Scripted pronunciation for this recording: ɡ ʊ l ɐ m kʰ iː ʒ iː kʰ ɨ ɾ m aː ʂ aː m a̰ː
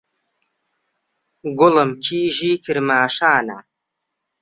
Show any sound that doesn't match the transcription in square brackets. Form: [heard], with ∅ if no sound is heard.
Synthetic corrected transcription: ɡ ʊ l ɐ m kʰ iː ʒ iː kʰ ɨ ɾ m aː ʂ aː [n] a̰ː